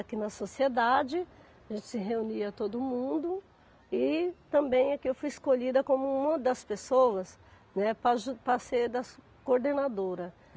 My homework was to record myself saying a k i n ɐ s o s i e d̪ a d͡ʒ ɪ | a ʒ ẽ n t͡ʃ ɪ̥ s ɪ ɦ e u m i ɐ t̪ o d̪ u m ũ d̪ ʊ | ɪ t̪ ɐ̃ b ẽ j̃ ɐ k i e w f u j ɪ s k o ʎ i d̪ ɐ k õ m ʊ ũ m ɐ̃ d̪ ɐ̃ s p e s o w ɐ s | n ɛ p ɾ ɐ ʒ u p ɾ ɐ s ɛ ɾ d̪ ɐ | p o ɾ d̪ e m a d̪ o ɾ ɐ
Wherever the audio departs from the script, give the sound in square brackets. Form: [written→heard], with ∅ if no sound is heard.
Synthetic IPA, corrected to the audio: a k i n ɐ s o s i e d̪ a d͡ʒ ɪ | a ʒ ẽ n t͡ʃ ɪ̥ s ɪ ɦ e u [m→n] i ɐ t̪ o d̪ [u→ʊ] m ũ d̪ ʊ | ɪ t̪ ɐ̃ b ẽ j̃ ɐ k i e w f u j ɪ s k o ʎ i d̪ ɐ k õ m ʊ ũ m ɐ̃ d̪ [ɐ̃→ɐ] s p e s o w ɐ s | n ɛ p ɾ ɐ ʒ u p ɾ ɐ s [ɛ→e] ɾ d̪ ɐ | [p→k] o ɾ d̪ e [m→n] a d̪ o ɾ ɐ